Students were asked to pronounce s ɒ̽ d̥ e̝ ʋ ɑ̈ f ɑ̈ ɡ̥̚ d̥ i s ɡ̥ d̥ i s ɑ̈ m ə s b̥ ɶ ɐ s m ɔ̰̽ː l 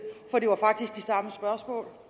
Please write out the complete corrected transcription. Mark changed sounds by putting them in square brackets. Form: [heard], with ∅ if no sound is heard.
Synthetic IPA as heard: [f] ɒ̽ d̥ e̝ ʋ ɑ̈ f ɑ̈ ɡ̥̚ d̥ i s ɡ̥ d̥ i s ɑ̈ m ə s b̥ ɶ ɐ s m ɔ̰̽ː l